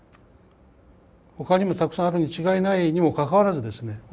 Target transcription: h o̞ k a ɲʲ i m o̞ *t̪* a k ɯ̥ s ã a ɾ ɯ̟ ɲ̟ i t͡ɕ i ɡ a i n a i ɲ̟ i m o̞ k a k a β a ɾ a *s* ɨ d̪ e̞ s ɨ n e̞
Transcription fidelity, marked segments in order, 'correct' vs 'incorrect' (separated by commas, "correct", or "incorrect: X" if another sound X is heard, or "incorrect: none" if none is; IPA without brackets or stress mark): correct, incorrect: z